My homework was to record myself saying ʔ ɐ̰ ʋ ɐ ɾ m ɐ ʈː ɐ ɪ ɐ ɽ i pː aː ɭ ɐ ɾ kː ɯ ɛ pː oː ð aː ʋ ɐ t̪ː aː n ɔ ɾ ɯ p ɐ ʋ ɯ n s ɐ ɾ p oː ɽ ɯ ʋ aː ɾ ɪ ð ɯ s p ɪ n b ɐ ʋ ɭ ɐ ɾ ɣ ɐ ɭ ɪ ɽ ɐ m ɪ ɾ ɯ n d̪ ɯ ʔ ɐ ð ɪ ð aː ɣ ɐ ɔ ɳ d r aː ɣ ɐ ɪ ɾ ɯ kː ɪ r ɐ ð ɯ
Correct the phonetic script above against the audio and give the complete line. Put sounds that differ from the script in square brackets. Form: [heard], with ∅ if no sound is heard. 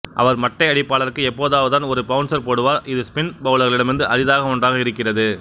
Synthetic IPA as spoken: ʔ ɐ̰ ʋ ɐ ɾ m ɐ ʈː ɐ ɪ ɐ ɽ [ɪ] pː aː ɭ ɐ ɾ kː ɯ ɛ pː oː ð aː ʋ ɐ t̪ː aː n ɔ ɾ ɯ p ɐ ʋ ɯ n s ɐ ɾ p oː ɽ ɯ ʋ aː ɾ ɪ ð ɯ s p ɪ n b ɐ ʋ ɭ ɐ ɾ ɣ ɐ ɭ ɪ ɽ ɐ m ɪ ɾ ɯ n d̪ ɯ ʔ ɐ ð ɪ ð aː ɣ ɐ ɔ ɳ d r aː ɣ ɐ ɪ ɾ ɯ kː ɪ r ɐ ð ɯ